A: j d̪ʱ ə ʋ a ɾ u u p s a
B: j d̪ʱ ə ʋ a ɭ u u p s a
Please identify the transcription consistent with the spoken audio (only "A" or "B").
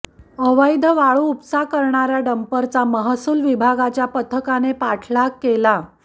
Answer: B